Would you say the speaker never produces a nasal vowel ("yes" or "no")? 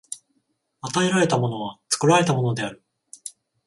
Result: yes